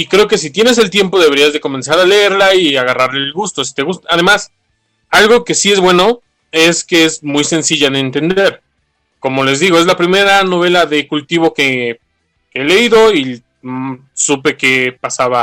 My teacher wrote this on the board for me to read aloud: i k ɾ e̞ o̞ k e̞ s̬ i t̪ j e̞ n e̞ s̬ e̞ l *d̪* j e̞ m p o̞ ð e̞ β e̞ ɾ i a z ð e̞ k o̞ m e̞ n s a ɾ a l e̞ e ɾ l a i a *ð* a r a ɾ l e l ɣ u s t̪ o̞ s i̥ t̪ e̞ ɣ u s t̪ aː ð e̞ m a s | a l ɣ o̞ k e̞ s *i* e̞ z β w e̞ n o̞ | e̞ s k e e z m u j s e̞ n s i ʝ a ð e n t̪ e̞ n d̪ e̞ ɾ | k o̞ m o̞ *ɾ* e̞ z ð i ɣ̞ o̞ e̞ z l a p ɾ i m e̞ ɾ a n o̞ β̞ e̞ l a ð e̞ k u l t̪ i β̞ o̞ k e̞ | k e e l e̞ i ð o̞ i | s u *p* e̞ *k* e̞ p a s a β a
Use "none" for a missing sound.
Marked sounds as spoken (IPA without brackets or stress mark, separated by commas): t̪, ɣ, i, l, p, k